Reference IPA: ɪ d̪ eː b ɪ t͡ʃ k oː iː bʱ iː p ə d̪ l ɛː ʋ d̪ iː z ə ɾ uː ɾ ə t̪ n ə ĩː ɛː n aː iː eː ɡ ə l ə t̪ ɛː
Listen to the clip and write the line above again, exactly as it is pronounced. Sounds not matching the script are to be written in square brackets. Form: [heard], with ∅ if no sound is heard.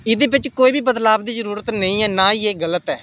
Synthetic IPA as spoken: ɪ d̪ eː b ɪ t͡ʃ k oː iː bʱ iː [b] ə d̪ l [aː] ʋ d̪ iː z ə ɾ uː ɾ ə t̪ n ə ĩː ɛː n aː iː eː ɡ ə l ə t̪ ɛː